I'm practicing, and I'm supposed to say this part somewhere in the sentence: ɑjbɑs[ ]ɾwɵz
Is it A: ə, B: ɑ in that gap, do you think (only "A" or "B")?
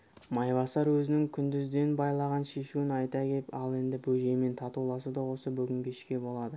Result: B